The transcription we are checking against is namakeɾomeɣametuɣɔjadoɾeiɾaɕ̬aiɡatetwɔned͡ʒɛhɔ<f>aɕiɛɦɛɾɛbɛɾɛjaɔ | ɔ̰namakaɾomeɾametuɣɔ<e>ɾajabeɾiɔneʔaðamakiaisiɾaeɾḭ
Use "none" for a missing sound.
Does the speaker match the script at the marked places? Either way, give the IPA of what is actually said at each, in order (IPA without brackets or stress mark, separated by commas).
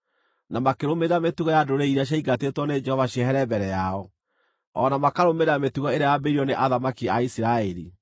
v, e